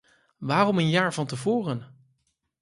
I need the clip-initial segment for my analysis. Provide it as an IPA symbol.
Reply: ʋ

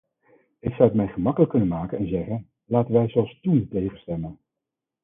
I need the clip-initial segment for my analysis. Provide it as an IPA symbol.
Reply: ɪ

